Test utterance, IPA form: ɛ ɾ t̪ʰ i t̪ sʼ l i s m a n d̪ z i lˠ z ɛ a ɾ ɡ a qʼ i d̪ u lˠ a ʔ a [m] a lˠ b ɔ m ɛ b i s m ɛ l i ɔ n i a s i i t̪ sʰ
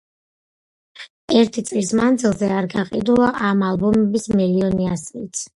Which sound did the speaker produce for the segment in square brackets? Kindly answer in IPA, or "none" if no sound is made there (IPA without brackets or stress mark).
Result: m